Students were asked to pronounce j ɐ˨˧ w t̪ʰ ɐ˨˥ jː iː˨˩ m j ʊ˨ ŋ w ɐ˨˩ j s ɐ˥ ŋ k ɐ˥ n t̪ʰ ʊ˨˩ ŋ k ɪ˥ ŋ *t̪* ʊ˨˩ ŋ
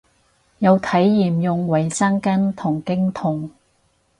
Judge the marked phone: incorrect: t̪ʰ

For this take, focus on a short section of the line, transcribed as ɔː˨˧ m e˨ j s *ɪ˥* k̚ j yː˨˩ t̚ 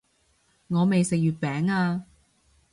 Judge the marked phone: incorrect: ɪ˨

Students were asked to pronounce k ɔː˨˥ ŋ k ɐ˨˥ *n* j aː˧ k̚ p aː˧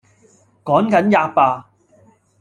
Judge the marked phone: correct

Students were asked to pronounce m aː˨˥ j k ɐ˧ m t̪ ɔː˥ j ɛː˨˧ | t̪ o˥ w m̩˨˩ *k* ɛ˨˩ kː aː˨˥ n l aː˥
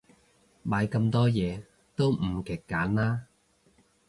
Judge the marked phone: correct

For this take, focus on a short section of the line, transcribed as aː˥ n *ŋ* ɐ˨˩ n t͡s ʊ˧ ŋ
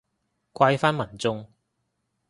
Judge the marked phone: incorrect: m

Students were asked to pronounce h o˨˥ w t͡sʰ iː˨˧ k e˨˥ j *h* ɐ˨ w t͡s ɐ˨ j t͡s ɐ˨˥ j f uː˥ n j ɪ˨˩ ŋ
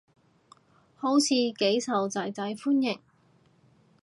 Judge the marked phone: incorrect: s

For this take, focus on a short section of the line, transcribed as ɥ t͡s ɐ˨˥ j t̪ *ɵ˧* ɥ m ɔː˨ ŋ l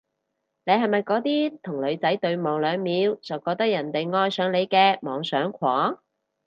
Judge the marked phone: correct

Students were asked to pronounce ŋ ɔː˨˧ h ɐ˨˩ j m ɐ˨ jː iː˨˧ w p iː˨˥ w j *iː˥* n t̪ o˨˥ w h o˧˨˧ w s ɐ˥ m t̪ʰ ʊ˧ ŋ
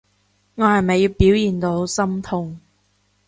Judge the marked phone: incorrect: iː˨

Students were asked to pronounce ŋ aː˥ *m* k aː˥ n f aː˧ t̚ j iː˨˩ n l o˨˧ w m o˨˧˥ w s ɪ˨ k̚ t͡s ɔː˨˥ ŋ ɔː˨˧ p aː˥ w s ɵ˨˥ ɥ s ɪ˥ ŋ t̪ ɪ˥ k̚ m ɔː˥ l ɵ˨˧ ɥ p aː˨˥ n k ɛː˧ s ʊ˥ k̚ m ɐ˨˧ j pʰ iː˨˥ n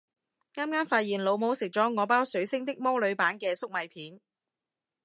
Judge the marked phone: correct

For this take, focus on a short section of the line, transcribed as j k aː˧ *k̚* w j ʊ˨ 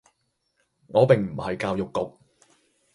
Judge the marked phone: incorrect: none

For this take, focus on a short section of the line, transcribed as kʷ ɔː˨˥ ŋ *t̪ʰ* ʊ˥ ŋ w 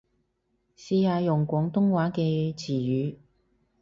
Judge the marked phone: incorrect: t̪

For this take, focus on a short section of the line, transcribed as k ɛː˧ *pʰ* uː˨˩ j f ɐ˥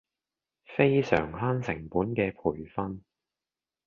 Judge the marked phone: correct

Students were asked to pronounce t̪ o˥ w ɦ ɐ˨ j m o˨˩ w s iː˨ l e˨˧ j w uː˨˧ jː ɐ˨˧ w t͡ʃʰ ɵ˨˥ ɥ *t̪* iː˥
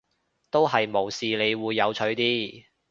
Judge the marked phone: correct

